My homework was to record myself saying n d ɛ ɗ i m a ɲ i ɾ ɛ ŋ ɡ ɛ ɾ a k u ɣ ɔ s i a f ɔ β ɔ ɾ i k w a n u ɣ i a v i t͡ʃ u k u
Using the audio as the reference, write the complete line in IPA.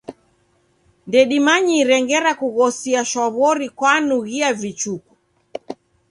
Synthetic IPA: n d ɛ ɗ i m a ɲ i ɾ ɛ ŋ ɡ ɛ ɾ a k u ɣ ɔ s i a ʃ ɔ β ɔ ɾ i k w a n u ɣ i a v i t͡ʃ u k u